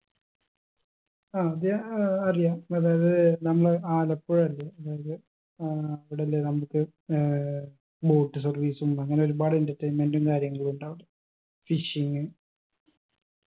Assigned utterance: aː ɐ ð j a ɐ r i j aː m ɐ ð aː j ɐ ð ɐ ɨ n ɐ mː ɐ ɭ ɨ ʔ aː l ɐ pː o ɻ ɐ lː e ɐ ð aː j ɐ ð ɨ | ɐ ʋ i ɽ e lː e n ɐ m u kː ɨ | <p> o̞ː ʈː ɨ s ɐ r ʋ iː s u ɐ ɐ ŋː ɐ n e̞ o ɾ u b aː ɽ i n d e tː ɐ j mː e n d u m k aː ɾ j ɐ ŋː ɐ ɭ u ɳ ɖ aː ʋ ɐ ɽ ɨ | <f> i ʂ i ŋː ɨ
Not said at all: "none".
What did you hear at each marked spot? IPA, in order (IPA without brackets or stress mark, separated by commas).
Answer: b, f